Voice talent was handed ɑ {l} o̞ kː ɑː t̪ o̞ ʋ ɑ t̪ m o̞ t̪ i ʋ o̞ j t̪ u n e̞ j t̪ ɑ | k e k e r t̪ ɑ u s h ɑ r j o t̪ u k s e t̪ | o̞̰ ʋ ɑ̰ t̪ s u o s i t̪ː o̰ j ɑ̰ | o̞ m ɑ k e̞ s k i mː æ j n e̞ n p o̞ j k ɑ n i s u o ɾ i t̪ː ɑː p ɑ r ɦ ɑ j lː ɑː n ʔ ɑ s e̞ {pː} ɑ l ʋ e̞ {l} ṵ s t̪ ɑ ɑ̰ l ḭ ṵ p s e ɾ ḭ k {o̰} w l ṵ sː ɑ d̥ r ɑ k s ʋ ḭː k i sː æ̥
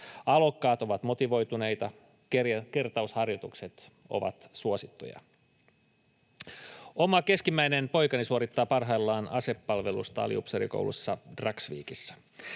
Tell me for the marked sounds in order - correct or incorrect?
correct, correct, correct, correct

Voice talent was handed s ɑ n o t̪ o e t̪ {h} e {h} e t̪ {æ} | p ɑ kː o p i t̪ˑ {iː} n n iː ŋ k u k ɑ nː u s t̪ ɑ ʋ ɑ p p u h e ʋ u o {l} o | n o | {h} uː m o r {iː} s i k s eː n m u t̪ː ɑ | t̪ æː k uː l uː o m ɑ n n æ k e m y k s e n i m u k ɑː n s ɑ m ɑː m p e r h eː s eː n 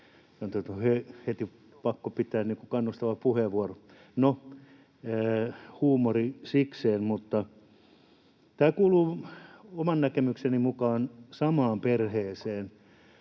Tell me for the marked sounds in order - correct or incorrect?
correct, correct, incorrect: i, incorrect: æː, incorrect: r, correct, incorrect: i

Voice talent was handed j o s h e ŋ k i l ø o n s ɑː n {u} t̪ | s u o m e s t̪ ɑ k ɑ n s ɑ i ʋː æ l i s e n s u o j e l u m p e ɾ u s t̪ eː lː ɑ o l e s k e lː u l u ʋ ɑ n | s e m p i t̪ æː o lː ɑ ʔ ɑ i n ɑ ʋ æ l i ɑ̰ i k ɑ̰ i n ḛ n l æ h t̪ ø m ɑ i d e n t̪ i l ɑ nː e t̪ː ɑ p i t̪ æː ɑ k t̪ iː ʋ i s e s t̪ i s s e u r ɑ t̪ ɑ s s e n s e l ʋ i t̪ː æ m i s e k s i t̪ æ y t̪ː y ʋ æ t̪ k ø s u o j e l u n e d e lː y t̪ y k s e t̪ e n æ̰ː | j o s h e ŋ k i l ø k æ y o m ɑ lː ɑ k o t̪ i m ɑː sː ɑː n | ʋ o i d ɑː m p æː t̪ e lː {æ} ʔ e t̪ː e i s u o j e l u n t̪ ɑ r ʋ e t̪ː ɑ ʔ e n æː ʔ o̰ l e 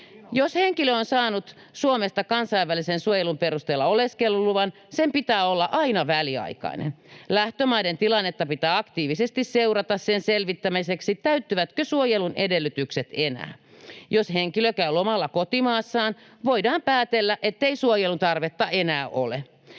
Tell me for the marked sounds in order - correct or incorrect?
correct, correct

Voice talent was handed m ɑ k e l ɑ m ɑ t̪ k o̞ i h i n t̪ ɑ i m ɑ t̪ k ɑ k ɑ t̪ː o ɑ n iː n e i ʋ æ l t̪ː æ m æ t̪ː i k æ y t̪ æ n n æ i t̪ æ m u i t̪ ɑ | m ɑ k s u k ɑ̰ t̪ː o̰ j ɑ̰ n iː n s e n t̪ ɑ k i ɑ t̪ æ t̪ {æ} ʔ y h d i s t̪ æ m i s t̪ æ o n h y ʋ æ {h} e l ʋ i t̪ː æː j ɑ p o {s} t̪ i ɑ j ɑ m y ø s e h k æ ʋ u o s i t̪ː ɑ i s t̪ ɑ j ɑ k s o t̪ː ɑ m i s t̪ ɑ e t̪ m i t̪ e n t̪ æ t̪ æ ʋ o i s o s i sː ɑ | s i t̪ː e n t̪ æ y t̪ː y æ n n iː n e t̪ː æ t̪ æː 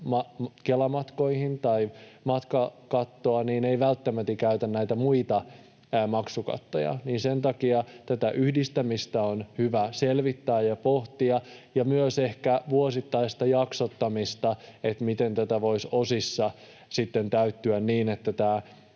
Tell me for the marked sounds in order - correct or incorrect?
correct, incorrect: s, incorrect: h

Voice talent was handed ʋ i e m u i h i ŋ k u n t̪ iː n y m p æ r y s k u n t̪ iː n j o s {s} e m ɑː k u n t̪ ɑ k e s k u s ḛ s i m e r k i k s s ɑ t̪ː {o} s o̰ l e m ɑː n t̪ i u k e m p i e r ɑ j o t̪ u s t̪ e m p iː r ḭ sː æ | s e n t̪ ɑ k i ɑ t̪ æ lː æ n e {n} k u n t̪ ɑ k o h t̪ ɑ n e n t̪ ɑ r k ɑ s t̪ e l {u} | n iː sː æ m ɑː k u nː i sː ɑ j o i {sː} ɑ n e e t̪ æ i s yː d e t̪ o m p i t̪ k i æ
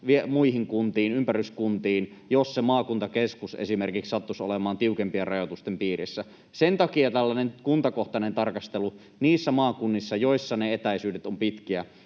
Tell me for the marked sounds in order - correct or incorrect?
correct, incorrect: u, correct, correct, correct

